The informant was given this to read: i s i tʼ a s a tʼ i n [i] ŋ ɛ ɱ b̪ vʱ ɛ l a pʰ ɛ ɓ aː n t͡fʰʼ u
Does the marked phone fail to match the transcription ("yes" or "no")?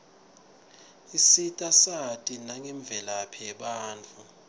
yes